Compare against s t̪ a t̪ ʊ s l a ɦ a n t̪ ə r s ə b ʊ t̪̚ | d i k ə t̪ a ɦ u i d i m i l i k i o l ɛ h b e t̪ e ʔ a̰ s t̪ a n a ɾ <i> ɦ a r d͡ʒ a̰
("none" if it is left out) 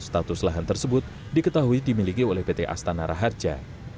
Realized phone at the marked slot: a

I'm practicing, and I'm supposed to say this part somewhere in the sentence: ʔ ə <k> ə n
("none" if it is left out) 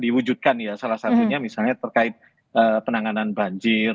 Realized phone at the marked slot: p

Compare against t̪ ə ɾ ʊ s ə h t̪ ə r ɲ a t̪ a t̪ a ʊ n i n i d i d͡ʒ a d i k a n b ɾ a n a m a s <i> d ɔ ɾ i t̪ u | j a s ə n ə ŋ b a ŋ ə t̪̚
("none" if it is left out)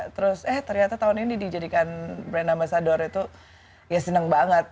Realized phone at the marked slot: a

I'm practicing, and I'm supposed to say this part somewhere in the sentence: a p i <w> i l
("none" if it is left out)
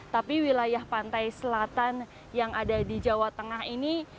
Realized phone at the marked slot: w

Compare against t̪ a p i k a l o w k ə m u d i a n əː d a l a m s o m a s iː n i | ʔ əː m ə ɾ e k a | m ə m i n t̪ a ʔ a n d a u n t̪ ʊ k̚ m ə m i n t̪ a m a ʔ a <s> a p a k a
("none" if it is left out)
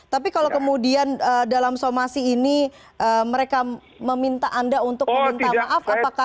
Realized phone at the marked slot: f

